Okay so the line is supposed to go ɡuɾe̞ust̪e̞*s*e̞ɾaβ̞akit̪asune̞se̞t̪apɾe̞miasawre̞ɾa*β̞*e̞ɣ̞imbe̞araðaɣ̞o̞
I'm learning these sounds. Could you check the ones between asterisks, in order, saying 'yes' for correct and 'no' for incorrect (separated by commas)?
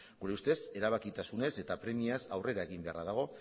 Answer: yes, no